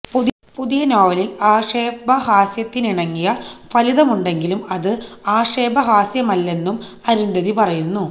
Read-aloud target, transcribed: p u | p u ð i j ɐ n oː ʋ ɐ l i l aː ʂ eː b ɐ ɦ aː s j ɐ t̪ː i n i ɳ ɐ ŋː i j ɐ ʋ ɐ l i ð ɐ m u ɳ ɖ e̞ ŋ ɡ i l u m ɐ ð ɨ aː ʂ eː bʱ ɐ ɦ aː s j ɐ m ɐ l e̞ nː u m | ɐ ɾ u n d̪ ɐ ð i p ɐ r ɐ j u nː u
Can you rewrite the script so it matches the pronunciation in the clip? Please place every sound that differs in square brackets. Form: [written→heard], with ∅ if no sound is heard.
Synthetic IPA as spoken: p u | p u ð i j ɐ n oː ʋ ɐ l i l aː ʂ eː b ɐ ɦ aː s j ɐ t̪ː i n i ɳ ɐ ŋː i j ɐ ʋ ɐ l i ð ɐ m u ɳ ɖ e̞ ŋ ɡ i l u m ɐ ð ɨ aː ʂ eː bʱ ɐ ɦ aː s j ɐ m ɐ [l→lː] e̞ nː u m | ɐ ɾ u n d̪ ɐ ð i p ɐ r ɐ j u nː u